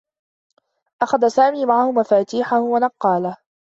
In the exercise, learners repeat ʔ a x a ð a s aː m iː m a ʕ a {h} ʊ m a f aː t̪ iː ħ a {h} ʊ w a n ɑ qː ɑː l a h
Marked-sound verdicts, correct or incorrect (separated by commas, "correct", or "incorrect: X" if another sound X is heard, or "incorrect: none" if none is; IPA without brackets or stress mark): correct, correct